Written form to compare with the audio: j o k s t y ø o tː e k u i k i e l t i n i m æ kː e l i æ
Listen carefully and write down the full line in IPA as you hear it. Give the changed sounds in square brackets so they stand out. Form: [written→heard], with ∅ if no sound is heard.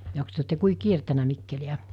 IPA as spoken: j o k s t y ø o tː e k u i k i e [l→r] t [i→æ] n [i→æ] m [æ→i] kː e l i æ